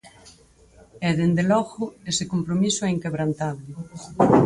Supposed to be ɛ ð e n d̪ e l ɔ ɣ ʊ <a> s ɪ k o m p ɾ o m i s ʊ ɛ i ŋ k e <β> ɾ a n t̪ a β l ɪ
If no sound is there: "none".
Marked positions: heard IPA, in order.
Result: e, β

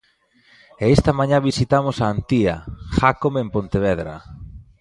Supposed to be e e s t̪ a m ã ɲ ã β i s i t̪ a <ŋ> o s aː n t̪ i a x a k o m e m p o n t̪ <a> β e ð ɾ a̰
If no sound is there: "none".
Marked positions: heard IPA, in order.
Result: m, e

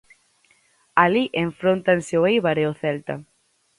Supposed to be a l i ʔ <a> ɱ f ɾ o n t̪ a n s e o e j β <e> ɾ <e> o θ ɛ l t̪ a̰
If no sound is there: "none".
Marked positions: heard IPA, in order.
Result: e, a, e

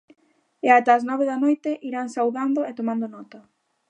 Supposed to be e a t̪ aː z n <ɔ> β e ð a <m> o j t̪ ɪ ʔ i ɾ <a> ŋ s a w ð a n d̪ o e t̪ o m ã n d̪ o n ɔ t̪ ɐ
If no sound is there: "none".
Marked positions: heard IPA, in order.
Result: ɔ, n, a

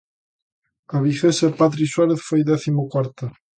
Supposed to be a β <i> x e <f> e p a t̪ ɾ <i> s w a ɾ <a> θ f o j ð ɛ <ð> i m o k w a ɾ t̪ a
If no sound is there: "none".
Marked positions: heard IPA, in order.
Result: i, s, i, e, θ

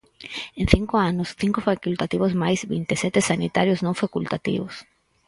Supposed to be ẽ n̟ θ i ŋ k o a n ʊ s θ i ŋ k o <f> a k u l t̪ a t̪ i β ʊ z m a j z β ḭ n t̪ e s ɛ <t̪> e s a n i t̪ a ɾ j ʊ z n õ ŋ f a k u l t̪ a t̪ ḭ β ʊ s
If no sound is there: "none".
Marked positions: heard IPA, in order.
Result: f, t̪

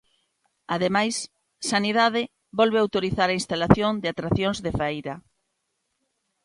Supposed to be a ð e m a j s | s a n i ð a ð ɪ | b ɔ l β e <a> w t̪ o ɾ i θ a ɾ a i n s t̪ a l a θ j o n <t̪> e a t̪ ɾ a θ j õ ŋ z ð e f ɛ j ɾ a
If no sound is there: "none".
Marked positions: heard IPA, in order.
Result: a, d̪

